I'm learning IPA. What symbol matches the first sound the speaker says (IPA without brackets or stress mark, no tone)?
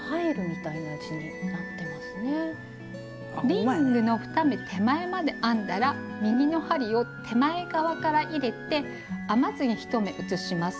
h